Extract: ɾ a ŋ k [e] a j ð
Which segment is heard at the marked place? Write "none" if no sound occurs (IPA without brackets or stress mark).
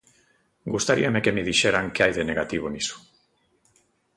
e